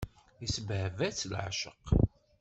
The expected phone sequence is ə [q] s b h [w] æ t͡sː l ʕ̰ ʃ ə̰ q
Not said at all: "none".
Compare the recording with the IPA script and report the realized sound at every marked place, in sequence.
none, v

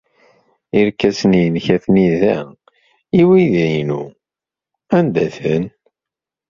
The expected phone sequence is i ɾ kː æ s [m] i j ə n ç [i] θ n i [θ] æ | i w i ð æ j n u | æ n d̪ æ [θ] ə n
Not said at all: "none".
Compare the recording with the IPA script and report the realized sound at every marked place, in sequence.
n, æ, ð, θ

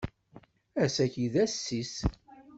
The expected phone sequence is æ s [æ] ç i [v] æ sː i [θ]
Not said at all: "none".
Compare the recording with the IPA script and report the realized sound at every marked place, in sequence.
æ, ð, s

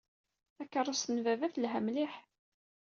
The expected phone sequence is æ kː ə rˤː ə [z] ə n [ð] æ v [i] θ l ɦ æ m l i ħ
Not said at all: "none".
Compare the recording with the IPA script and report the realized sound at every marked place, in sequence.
s, v, æ

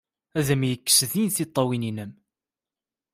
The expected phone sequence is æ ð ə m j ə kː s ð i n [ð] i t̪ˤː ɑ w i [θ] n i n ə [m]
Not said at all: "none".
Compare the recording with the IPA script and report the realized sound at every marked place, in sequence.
θ, none, m

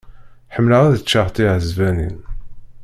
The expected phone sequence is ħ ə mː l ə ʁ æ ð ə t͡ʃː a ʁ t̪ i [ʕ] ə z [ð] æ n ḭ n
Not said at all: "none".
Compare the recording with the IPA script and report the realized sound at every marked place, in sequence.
ʕ, v

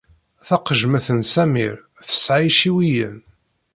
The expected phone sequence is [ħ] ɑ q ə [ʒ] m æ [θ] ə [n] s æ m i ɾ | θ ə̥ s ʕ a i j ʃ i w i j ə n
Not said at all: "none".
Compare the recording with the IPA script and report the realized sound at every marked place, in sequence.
θ, ʒ, θ, n

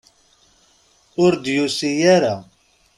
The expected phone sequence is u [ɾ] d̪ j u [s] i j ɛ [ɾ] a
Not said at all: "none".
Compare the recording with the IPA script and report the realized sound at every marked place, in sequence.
ɾ, s, ɾ

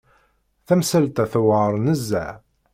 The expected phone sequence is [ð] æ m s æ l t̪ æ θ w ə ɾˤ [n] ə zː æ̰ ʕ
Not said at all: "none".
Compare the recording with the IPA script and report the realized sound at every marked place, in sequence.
θ, n

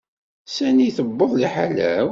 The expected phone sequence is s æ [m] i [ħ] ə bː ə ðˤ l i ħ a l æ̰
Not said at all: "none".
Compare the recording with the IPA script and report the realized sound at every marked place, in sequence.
n, θ

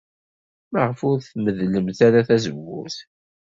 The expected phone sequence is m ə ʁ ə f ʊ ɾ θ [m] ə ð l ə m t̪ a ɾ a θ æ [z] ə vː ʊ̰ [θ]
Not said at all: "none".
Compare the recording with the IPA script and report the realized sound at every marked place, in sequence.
m, z, θ

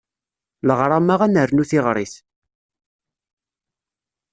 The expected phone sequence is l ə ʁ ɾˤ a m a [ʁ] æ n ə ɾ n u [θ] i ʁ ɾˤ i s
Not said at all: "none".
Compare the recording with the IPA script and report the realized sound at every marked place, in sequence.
ʁ, θ

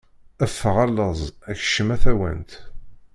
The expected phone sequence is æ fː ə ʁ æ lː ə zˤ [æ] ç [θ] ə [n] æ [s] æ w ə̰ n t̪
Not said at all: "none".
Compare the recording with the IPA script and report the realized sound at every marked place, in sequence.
æ, ʃ, m, θ

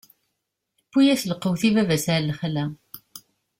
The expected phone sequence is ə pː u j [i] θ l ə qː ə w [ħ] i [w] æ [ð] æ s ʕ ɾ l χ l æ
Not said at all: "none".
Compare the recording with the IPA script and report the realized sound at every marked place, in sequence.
æ, θ, v, v

